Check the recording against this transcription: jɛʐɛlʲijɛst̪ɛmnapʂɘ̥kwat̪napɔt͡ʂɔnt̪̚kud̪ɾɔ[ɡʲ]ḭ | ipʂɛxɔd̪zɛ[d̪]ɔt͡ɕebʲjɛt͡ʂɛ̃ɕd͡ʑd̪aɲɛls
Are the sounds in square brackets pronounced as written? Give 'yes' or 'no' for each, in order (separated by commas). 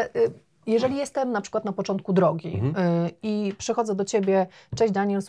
yes, yes